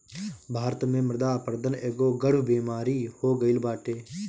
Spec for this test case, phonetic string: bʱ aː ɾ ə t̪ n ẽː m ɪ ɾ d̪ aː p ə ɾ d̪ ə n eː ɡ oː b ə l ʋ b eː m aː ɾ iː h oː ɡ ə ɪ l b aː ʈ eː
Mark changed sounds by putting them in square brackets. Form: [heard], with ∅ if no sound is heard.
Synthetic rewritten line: bʱ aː ɾ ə t̪ [m] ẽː m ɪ ɾ d̪ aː p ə ɾ d̪ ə n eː ɡ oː [ɡ] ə [ɽ] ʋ b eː m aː ɾ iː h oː ɡ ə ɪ l b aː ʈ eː